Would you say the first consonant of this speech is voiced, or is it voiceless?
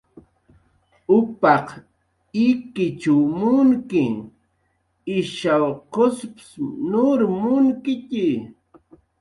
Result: voiceless